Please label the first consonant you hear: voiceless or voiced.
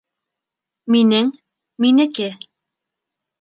voiced